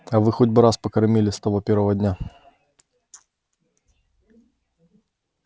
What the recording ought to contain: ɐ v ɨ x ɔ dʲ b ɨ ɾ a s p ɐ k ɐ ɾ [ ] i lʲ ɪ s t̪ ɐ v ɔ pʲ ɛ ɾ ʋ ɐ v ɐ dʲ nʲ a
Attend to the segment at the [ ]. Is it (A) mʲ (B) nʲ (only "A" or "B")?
A